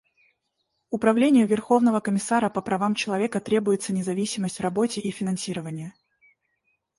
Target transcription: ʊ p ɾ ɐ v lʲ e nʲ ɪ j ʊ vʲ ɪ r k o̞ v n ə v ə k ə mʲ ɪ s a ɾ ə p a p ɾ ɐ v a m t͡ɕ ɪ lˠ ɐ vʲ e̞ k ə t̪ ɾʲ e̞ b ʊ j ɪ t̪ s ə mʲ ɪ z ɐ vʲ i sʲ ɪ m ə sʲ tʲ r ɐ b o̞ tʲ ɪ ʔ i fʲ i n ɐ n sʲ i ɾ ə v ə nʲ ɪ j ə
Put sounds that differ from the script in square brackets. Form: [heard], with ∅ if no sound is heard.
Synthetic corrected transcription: ʊ p ɾ ɐ v lʲ e nʲ ɪ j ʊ vʲ ɪ r [x] o̞ v n ə v ə k ə mʲ ɪ s a ɾ ə p [ə] p ɾ ɐ v a m t͡ɕ ɪ lˠ ɐ vʲ e̞ k ə t̪ ɾʲ e̞ b ʊ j ɪ t̪ s ə [nʲ] ɪ z ɐ vʲ i sʲ ɪ m ə sʲ tʲ r ɐ b o̞ tʲ ɪ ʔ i fʲ [ɪ] n ɐ n sʲ i ɾ ə v ə nʲ ɪ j ə